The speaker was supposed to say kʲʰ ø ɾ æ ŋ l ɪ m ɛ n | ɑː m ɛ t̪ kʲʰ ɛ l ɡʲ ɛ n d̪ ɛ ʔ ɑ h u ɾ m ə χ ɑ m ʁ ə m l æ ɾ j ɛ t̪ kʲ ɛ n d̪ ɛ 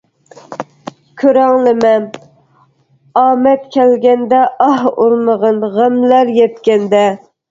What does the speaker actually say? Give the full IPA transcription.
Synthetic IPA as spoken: kʲʰ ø ɾ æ ŋ l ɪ m ɛ n | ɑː m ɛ t̪ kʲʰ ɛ l ɡʲ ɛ n d̪ ɛ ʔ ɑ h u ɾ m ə ʁ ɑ n ʁ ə m l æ ɾ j ɛ t̪ kʲ ɛ n d̪ ɛ